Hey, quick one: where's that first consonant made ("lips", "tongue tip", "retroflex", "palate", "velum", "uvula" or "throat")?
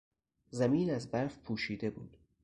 tongue tip